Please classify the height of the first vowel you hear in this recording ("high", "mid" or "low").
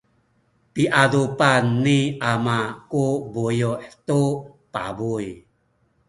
high